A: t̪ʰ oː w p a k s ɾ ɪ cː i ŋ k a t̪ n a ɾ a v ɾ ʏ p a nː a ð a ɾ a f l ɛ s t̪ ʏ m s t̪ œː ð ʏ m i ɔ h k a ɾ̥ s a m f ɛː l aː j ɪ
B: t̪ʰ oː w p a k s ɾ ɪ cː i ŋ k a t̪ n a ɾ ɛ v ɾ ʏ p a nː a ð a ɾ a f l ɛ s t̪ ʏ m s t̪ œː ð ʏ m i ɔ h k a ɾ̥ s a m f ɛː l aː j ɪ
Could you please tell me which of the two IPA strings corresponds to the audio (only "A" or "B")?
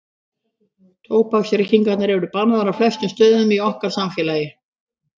B